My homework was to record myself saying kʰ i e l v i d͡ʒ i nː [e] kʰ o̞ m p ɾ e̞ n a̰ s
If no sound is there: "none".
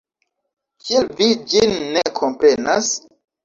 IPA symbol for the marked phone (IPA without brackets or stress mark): e